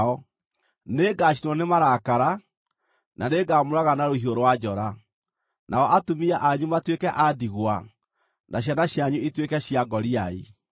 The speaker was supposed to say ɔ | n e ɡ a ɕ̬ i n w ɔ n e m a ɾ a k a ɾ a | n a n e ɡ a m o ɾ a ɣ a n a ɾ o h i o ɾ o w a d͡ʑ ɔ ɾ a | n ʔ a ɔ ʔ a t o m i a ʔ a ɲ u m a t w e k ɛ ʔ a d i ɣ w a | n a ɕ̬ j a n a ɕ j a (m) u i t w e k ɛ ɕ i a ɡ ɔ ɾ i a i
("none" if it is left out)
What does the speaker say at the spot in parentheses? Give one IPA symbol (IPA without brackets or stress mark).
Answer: ɲ